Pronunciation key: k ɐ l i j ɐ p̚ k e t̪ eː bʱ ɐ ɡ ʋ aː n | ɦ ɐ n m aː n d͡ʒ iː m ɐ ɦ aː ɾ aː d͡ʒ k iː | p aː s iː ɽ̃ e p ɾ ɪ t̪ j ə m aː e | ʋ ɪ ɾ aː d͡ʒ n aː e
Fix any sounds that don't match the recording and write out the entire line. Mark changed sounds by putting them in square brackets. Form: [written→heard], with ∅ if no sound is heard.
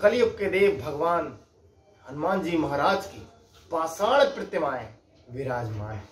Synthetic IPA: k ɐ l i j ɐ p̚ k e [t̪→d̪] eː bʱ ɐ ɡ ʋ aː n | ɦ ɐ n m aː n d͡ʒ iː m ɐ ɦ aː ɾ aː d͡ʒ k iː | p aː s [iː→aː] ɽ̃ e p ɾ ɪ t̪ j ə m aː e | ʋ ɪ ɾ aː d͡ʒ [n→m] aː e

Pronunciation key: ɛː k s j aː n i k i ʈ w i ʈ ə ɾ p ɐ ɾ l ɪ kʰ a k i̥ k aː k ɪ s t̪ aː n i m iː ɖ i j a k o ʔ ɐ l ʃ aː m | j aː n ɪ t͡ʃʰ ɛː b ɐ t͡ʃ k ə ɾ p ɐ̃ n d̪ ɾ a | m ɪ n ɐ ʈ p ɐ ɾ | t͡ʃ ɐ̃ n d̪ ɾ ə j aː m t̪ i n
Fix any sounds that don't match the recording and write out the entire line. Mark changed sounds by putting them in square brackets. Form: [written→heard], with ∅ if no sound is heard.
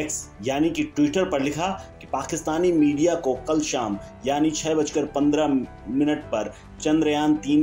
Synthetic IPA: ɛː k s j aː n i k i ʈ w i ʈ ə ɾ p ɐ ɾ l ɪ kʰ a k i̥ [k→p] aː k ɪ s t̪ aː n i m iː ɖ i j a k o [ʔ→k] ɐ l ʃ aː m | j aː n [ɪ→i] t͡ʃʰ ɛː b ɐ t͡ʃ k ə ɾ p ɐ̃ n d̪ ɾ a | m ɪ n [ɐ→ə] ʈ p ɐ ɾ | t͡ʃ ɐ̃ n d̪ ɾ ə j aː [m→n] t̪ [i→iː] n

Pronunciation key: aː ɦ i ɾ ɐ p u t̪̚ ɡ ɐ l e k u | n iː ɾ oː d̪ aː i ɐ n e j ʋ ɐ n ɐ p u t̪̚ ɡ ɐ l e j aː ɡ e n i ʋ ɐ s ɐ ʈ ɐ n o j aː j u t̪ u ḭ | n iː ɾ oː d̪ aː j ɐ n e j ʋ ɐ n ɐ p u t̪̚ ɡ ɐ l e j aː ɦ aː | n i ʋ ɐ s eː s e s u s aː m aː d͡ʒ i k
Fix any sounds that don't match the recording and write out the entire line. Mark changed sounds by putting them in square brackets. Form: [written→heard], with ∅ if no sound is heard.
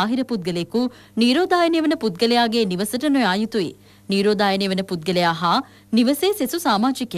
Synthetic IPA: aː ɦ i ɾ ɐ p u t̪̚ ɡ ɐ l e k u | n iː ɾ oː d̪ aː [i→j] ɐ n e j ʋ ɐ n ɐ p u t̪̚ ɡ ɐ l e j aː ɡ e n i ʋ ɐ s ɐ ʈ ɐ n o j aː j u t̪ u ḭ | n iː ɾ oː d̪ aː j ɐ n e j ʋ ɐ n ɐ p u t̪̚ ɡ ɐ l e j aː ɦ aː | n i ʋ ɐ s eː s e s u s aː m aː d͡ʒ i k

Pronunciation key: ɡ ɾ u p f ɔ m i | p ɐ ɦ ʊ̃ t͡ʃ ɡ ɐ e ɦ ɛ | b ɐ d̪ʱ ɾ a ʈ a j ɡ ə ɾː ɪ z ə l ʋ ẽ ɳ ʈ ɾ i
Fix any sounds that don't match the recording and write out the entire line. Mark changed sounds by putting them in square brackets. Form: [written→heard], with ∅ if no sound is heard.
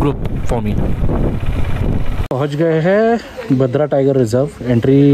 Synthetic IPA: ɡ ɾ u p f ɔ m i | p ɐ ɦ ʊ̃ t͡ʃ ɡ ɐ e ɦ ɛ | b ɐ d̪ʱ ɾ a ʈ a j ɡ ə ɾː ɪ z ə [l→ɾ] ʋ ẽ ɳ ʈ ɾ i

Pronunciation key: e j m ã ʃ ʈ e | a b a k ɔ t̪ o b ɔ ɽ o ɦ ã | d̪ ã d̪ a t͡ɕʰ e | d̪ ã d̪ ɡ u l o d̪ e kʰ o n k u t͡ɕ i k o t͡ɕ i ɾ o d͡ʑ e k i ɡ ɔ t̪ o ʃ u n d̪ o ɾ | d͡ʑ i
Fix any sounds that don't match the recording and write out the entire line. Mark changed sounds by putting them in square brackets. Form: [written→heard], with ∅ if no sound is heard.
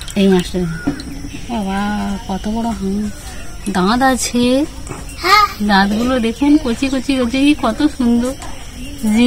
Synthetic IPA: e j m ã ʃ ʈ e | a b a k ɔ t̪ o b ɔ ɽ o ɦ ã | d̪ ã d̪ a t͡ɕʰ e | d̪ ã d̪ ɡ u l o d̪ e kʰ [o→u] n k [u→o] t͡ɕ i k o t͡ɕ i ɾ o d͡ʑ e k i [ɡ→k] ɔ t̪ o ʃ u n d̪ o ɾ | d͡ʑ i

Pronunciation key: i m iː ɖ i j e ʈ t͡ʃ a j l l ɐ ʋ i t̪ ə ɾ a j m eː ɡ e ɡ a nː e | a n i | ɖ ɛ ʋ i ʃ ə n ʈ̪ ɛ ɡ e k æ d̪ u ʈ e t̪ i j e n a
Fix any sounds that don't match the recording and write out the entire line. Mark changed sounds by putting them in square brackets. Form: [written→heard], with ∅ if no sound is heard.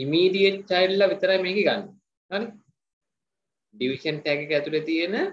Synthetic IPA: i m iː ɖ i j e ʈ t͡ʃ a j l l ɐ ʋ i t̪ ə ɾ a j m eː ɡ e ɡ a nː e | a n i | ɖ [ɛ→i] ʋ i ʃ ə n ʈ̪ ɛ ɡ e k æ [d̪→t̪] u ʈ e t̪ i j e n [a→ə]

